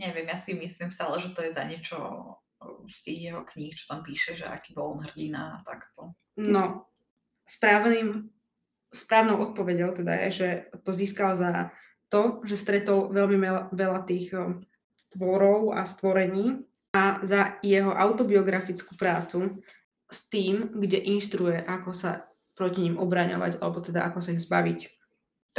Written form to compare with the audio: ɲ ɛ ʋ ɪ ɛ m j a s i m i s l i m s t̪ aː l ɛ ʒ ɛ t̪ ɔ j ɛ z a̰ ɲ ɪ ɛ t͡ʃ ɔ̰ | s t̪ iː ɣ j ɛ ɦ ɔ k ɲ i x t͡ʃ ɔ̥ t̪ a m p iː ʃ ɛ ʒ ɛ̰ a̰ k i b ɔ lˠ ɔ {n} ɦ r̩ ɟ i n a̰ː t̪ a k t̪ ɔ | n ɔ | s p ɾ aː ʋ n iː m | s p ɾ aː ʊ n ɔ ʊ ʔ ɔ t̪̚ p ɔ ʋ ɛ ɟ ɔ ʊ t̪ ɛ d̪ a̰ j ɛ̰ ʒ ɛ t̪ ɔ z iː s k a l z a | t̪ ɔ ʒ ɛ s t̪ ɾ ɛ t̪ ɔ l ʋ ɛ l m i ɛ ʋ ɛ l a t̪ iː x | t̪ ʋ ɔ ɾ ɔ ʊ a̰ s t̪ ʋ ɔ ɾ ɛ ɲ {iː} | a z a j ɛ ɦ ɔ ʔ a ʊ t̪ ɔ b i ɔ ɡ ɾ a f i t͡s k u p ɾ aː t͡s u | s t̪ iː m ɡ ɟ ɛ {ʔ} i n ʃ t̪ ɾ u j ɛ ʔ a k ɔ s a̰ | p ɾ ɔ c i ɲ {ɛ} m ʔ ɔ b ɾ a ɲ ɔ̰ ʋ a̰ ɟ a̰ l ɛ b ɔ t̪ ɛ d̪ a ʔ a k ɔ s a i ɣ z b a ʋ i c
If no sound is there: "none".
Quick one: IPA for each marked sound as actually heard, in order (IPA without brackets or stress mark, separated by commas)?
n, iː, ʔ, i